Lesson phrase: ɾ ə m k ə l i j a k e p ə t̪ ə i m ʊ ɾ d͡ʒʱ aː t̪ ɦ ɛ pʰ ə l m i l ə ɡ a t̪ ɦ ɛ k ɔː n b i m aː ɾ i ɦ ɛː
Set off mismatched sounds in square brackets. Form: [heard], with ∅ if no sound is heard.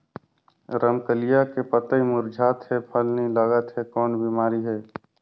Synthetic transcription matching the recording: ɾ ə m k ə l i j a k e p ə t̪ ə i m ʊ ɾ d͡ʒʱ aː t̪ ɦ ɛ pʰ ə l [n] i l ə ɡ [ə] t̪ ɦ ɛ k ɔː n b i m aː ɾ i ɦ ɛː